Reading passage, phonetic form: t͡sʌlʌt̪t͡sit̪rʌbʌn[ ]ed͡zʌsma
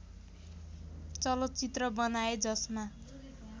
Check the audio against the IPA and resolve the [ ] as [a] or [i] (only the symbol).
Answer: a